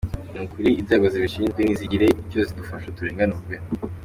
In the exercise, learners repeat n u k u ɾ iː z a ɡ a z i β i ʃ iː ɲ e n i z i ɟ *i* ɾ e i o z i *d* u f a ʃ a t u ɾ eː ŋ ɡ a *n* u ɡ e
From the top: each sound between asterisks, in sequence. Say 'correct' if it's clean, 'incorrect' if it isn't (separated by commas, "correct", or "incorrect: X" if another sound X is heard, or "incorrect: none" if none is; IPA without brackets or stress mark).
correct, correct, correct